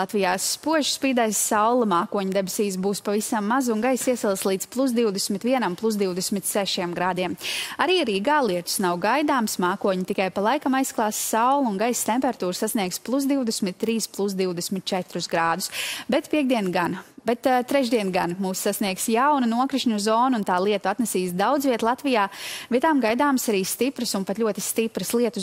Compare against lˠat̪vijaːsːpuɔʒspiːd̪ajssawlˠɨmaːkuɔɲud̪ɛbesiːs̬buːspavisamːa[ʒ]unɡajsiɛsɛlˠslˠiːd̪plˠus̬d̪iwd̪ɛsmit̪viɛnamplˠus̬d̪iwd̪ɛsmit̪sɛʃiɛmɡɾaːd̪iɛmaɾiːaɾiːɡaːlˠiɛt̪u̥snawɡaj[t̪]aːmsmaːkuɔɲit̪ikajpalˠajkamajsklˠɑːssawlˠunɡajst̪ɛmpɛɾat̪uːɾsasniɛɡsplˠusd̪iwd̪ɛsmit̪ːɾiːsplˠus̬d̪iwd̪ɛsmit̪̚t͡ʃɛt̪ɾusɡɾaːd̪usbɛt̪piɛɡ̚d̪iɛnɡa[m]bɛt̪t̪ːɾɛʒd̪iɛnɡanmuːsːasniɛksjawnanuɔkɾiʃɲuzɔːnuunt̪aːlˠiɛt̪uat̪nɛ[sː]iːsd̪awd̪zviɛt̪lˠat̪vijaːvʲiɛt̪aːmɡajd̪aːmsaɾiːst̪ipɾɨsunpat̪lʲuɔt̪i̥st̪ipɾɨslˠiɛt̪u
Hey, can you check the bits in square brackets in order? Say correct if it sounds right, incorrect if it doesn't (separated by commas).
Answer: incorrect, incorrect, incorrect, incorrect